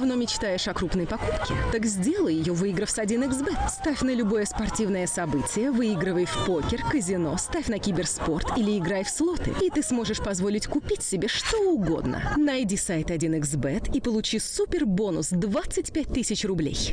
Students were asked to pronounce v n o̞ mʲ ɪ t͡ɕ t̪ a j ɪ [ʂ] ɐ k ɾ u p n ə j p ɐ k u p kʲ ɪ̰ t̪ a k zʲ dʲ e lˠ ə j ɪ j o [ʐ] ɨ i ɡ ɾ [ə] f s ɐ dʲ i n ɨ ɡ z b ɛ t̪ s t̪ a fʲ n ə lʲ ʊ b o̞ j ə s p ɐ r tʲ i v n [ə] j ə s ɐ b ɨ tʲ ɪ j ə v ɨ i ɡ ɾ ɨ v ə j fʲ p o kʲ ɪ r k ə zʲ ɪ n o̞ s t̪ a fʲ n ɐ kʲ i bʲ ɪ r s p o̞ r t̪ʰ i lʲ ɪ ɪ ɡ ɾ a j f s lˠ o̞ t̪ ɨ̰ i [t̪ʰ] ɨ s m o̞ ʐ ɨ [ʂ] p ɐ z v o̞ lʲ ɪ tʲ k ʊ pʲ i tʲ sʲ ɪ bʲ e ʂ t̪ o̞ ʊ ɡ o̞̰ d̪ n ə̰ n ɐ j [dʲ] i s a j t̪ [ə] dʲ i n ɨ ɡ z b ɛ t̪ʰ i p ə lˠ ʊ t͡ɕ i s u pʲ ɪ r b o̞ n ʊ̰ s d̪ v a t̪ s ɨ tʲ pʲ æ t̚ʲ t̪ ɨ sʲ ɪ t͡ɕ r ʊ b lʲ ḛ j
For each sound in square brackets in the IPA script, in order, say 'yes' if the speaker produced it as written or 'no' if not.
yes, no, yes, yes, no, yes, yes, no

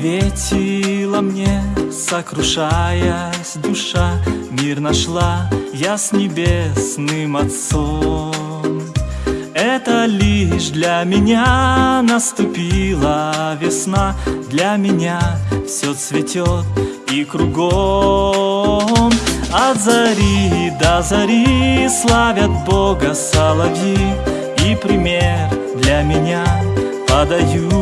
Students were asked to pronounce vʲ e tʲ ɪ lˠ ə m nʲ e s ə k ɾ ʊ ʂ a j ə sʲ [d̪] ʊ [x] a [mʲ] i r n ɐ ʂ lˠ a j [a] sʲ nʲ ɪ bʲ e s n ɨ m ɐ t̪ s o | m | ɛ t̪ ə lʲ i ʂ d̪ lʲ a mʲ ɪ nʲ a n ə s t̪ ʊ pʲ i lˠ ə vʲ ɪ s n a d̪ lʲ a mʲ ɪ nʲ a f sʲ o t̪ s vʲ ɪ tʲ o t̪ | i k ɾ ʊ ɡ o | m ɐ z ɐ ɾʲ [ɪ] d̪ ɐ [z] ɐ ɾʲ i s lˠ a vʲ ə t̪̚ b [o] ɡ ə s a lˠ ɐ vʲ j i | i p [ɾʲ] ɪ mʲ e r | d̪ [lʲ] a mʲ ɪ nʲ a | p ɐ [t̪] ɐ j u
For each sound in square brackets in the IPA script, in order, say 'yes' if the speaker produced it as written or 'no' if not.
yes, no, yes, yes, no, yes, yes, yes, yes, no

